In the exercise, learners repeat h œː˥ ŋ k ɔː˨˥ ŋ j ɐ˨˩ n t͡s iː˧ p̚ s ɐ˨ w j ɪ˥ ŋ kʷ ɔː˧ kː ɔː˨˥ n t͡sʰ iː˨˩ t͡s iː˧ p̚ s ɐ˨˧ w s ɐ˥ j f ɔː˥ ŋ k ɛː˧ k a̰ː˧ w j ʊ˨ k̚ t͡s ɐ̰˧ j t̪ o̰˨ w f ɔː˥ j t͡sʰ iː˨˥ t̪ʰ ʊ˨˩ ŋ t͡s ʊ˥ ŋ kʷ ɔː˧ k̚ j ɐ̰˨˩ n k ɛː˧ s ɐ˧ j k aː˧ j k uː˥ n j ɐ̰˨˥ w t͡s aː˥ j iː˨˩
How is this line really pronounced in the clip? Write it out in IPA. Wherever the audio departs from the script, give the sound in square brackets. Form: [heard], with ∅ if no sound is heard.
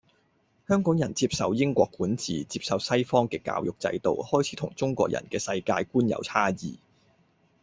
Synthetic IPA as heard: h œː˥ ŋ k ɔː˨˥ ŋ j ɐ˨˩ n t͡s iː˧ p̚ s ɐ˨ w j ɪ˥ ŋ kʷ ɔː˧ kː [uː˨˥] n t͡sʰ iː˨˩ t͡s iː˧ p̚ s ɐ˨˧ w s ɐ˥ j f ɔː˥ ŋ k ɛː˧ k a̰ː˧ w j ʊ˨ k̚ t͡s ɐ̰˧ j t̪ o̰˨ w [h] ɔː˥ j t͡sʰ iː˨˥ t̪ʰ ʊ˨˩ ŋ t͡s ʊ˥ ŋ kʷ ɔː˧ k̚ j ɐ̰˨˩ n k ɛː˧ s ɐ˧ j k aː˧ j k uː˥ n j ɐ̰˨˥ w [t͡sʰ] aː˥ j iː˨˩